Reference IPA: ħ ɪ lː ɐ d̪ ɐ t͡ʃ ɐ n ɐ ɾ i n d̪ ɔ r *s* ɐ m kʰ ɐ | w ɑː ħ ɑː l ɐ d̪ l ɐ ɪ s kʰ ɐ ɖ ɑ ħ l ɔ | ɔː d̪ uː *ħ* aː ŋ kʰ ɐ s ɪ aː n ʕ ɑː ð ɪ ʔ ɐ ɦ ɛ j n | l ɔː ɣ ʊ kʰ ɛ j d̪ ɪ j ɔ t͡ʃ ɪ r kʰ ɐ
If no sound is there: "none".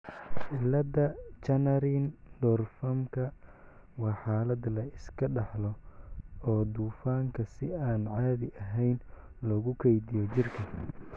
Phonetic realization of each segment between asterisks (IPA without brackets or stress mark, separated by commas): f, f